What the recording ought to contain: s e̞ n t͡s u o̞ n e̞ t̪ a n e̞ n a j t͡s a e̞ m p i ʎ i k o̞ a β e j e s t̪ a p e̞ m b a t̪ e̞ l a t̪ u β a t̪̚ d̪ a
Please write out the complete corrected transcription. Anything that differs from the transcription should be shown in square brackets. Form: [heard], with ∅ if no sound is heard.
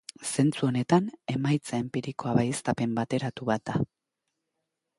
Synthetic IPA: s e̞ n t͡s u o̞ n e̞ t̪ a n e̞ [m] a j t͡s a e̞ m p i [ɾ] i k o̞ a β [a] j e s t̪ a p e̞ m b a t̪ e̞ [ɾ] a t̪ u β a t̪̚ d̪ a